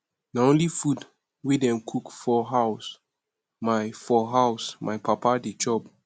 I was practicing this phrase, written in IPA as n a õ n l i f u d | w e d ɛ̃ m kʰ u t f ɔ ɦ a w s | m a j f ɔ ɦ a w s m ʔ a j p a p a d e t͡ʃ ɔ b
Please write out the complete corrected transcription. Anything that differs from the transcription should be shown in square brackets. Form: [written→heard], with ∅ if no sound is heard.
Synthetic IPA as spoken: n a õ n l i f u d | w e d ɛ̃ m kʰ u [t→k] f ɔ ɦ a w s | m a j f ɔ ɦ a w s m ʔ a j p a p a d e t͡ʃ ɔ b